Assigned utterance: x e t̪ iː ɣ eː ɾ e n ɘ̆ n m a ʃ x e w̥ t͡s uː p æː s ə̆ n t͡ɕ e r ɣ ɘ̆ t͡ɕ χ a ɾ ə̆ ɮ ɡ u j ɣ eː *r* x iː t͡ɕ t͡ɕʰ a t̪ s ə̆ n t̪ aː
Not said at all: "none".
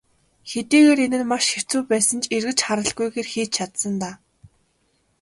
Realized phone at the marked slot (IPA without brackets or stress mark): r